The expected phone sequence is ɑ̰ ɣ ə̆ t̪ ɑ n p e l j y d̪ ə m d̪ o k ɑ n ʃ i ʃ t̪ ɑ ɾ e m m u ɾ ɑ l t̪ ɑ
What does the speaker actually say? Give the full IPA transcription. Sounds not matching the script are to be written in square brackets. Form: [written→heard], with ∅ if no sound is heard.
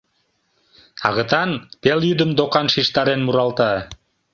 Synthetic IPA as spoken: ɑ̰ ɣ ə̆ t̪ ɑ n p e l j y d̪ ə m d̪ o k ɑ n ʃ i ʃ t̪ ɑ ɾ e [m→n] m u ɾ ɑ l t̪ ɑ